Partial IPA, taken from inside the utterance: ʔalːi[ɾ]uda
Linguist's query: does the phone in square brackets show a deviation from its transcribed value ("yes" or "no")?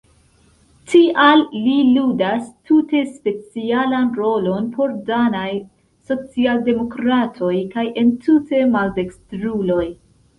yes